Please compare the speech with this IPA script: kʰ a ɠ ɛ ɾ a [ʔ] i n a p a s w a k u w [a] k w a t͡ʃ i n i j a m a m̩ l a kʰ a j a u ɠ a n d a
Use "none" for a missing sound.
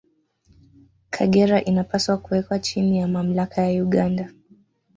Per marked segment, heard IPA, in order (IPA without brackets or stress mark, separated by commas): ʔ, ɛ